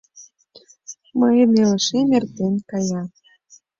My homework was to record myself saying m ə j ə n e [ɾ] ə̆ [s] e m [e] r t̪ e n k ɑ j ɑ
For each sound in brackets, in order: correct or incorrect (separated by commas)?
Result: incorrect, incorrect, correct